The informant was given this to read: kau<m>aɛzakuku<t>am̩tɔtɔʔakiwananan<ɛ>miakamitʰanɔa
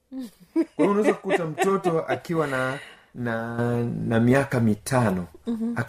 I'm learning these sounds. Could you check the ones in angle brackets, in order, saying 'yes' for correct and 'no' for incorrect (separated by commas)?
no, yes, no